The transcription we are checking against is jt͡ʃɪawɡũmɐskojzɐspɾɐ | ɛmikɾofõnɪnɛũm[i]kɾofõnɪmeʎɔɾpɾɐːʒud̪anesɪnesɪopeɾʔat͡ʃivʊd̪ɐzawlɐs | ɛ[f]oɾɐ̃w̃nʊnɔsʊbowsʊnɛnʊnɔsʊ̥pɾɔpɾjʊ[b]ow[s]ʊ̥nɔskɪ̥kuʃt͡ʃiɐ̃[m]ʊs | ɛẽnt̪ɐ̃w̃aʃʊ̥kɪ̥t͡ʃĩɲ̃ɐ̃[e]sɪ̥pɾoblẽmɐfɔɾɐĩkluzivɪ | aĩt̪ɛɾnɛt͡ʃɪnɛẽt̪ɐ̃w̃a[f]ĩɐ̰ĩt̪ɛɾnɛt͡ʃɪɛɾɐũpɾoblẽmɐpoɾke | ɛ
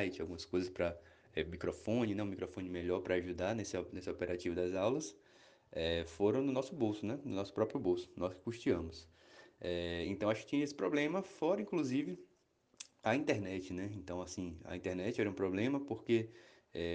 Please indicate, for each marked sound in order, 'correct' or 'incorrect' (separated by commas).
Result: correct, correct, correct, correct, correct, correct, incorrect